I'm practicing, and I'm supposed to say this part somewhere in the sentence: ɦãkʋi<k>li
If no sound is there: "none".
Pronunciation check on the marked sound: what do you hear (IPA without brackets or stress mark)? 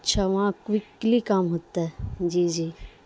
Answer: k